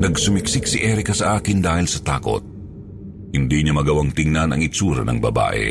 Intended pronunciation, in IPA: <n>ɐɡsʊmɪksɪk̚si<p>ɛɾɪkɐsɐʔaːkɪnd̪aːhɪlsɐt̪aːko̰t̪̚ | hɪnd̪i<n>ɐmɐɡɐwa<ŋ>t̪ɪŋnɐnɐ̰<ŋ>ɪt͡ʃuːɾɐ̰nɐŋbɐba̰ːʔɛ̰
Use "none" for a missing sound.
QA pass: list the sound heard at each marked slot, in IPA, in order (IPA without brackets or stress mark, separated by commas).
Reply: n, ʔ, ɲ, ŋ, ŋ